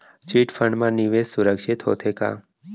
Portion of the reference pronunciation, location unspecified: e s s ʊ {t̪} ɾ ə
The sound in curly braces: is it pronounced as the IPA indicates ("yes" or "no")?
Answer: no